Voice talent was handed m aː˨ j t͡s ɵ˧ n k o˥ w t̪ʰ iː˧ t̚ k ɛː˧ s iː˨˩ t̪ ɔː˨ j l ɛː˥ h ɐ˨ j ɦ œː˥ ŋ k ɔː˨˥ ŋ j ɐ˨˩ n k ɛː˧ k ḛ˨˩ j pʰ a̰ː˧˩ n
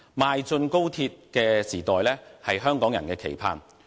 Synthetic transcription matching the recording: m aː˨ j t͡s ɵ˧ n k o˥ w t̪ʰ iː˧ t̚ k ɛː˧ s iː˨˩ t̪ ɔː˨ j l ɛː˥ h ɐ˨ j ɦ œː˥ ŋ k ɔː˨˥ ŋ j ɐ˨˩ n k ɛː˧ kʰ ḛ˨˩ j pʰ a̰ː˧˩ n